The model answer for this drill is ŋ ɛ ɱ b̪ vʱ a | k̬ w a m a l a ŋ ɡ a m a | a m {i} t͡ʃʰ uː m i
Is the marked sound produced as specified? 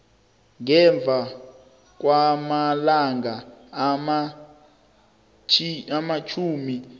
no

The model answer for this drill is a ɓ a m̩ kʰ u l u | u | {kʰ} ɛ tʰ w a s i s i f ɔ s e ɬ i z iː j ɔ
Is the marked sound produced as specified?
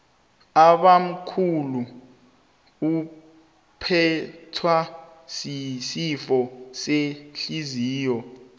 no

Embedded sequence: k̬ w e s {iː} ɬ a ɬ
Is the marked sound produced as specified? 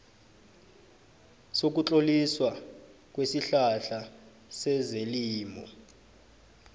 no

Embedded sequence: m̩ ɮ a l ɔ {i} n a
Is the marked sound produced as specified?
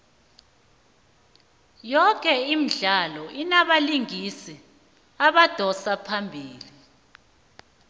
yes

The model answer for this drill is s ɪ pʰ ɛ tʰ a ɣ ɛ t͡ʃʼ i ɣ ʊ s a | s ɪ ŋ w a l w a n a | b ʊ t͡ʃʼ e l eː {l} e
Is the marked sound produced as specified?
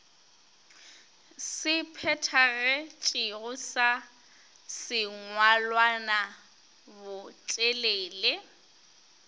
yes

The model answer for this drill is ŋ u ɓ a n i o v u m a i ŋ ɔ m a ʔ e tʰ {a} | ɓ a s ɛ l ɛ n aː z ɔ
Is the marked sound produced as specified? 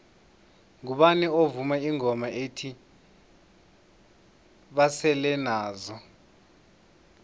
no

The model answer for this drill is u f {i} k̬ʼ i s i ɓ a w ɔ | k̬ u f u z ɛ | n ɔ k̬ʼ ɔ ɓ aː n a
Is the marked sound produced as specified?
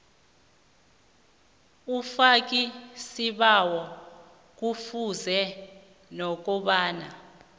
no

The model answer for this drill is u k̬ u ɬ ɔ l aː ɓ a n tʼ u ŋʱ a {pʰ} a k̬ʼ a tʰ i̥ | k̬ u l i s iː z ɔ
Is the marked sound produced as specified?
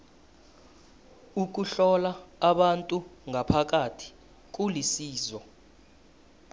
yes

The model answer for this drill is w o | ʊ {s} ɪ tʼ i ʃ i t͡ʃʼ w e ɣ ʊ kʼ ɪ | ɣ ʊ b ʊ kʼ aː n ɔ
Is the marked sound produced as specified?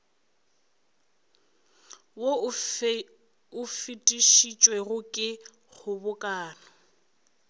no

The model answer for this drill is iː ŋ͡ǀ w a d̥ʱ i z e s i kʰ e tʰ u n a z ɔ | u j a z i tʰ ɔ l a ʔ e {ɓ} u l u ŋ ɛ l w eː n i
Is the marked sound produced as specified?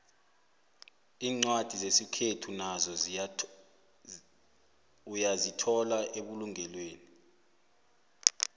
yes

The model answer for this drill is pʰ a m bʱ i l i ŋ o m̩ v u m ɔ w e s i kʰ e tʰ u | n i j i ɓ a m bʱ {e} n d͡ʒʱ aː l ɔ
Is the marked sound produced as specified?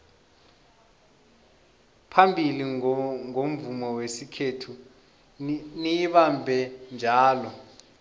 no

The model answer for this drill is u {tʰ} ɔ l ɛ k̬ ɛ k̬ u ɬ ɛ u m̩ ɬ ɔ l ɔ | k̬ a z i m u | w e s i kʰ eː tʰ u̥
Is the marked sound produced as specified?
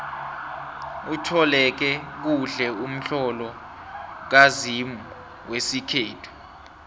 yes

